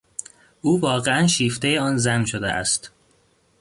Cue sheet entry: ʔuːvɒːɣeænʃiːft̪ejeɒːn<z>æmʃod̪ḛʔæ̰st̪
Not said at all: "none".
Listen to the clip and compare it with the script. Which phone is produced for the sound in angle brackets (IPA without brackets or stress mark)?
z